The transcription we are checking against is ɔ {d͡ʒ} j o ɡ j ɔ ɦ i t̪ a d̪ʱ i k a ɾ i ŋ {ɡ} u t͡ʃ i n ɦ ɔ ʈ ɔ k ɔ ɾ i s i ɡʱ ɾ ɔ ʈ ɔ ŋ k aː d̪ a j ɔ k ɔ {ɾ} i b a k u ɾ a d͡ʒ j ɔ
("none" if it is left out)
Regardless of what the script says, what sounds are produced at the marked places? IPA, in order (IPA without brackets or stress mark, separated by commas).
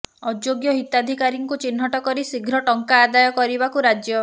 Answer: d͡ʒ, k, ɾ